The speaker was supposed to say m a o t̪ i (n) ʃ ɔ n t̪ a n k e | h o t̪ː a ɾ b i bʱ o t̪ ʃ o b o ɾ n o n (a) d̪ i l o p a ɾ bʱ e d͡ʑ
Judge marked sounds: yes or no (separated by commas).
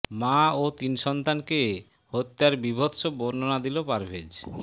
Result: yes, yes